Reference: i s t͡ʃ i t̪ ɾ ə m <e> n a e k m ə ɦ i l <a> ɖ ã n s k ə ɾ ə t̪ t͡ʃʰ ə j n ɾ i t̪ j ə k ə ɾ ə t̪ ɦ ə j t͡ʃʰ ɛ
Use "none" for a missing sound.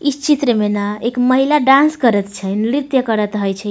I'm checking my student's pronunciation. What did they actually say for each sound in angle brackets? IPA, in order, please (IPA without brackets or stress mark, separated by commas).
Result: e, a